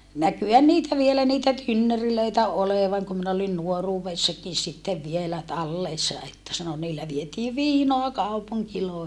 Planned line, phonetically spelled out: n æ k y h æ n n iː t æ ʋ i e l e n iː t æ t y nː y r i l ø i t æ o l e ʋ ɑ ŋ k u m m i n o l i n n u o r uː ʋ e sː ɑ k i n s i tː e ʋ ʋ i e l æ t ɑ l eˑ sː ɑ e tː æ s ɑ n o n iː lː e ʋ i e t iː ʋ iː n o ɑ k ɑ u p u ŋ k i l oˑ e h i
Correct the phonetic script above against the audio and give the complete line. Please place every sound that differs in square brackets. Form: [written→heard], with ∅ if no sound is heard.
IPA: n æ k y h æ n n iː t æ ʋ i e l [e→æ] n iː t æ t y nː [y→ø] r i l ø i t æ o l e ʋ ɑ ŋ k u m m i n o l i n n u o r uː ʋ e sː ɑ k i n s i tː e ʋ ʋ i e l æ t ɑ [l→lː] eˑ sː ɑ e tː æ s ɑ n o n iː lː [e→æ] ʋ i e t iː ʋ iː n o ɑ k ɑ u p u ŋ k i l oˑ e h i